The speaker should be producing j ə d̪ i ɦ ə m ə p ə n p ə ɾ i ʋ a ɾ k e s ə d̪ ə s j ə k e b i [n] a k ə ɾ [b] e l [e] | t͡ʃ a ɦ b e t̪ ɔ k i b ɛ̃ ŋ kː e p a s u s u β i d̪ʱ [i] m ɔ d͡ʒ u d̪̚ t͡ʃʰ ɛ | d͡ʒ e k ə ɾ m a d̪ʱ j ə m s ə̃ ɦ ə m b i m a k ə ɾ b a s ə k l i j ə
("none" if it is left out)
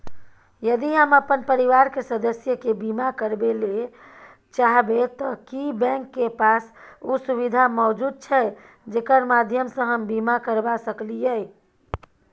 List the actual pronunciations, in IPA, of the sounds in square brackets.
m, b, e, a

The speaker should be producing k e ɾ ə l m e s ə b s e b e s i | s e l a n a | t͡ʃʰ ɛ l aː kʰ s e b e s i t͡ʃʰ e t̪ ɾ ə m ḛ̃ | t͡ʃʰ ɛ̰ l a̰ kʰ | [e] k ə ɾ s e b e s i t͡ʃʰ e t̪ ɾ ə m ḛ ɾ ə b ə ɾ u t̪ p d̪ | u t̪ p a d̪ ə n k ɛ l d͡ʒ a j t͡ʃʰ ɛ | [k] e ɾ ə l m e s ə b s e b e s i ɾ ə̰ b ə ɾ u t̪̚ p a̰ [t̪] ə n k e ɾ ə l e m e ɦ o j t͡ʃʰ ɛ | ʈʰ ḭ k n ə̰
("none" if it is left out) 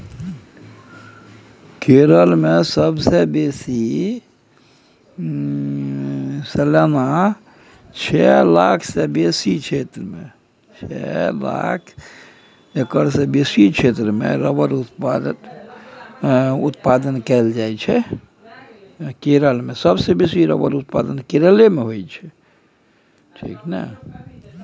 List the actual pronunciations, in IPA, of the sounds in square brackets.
e, k, d̪

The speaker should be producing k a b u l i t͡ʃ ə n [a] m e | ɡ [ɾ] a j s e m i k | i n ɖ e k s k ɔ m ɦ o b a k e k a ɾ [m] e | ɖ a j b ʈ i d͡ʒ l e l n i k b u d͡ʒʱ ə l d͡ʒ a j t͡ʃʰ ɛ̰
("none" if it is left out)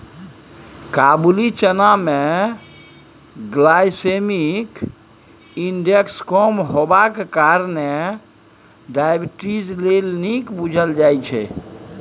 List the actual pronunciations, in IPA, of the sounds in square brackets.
a, l, n

